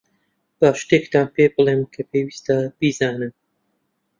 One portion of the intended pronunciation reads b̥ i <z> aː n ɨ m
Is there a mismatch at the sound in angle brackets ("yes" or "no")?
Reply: no